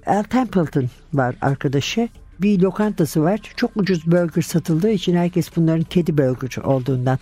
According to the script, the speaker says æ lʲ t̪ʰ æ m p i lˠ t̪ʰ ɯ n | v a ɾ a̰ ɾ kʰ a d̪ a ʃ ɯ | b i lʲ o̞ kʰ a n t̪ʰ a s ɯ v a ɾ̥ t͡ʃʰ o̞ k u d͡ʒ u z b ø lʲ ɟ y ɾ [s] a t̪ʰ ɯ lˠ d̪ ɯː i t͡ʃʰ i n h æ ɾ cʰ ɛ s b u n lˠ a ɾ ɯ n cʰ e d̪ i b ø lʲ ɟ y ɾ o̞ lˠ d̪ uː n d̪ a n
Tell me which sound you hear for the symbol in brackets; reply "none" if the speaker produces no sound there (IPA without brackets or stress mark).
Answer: s